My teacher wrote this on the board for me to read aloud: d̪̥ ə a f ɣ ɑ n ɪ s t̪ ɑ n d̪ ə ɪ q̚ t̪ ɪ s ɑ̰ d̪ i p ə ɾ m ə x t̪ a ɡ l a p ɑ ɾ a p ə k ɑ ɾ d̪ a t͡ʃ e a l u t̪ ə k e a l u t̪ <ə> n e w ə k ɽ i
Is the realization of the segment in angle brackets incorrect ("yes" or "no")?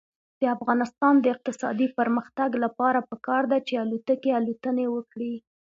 no